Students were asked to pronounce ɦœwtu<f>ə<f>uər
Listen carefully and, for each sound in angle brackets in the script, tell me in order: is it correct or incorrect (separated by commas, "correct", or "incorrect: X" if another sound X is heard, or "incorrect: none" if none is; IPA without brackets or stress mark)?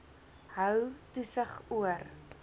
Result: incorrect: s, incorrect: χ